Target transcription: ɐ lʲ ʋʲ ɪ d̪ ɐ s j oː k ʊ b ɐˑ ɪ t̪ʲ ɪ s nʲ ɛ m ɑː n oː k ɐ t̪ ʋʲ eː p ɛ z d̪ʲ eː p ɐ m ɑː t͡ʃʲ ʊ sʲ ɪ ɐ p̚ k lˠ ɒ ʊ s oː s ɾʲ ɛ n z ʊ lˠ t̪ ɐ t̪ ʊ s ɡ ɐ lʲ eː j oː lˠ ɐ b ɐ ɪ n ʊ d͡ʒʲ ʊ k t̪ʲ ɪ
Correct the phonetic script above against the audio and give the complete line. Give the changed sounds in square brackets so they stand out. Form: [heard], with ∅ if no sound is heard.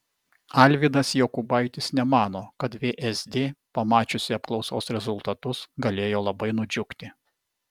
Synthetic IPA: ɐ lʲ ʋʲ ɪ d̪ ɐ s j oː k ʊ b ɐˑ ɪ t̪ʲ ɪ s nʲ ɛ m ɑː n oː k ɐ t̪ ʋʲ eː [ʔ] ɛ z d̪ʲ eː p ɐ m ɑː t͡ʃʲ ʊ sʲ ɪ ɐ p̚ k lˠ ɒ ʊ s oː s ɾʲ ɛ [∅] z ʊ lˠ t̪ ɐ t̪ ʊ s ɡ ɐ lʲ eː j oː lˠ ɐ b ɐ ɪ n ʊ d͡ʒʲ ʊ k t̪ʲ ɪ